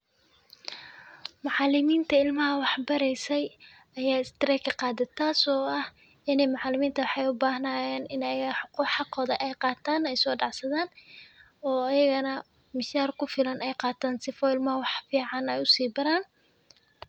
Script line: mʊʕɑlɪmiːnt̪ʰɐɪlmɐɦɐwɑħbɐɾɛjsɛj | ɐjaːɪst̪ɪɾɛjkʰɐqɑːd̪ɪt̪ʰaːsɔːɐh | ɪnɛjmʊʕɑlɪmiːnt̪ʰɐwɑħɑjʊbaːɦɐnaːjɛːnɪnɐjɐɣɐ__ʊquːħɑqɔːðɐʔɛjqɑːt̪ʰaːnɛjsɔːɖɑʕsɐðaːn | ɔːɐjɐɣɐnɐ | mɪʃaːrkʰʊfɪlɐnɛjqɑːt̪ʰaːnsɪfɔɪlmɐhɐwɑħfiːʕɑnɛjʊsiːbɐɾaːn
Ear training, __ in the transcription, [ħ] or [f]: ħ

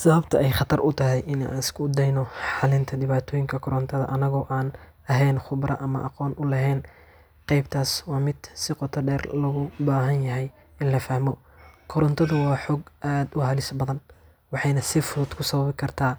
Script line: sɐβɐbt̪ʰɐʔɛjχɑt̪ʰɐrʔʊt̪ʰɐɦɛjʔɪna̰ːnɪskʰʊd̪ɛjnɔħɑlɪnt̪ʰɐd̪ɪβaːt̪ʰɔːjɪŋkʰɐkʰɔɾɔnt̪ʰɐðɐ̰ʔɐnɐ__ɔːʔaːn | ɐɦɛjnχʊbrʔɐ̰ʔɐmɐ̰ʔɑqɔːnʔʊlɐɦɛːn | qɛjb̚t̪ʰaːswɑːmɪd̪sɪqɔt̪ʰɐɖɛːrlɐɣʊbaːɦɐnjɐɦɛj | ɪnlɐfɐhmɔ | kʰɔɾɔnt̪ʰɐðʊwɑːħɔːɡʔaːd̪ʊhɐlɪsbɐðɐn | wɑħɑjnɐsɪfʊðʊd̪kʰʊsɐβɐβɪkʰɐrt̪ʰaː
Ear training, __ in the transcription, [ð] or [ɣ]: ɣ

